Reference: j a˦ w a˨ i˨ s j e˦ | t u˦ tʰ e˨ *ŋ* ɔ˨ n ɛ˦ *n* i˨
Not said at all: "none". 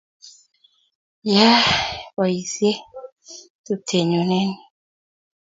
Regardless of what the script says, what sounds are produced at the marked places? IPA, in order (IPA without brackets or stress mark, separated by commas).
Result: ɲ, n